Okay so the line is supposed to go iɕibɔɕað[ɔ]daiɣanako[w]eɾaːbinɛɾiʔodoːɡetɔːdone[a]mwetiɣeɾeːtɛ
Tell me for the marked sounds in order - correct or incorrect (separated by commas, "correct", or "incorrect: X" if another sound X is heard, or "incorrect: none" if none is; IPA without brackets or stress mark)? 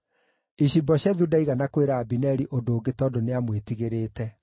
incorrect: u, correct, correct